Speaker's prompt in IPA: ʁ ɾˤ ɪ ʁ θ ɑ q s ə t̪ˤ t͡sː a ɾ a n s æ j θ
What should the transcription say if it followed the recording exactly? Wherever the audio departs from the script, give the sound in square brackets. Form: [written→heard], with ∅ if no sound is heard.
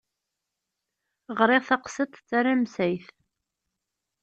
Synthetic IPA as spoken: ʁ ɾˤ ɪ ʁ θ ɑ q s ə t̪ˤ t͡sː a ɾ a [n→m] s æ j θ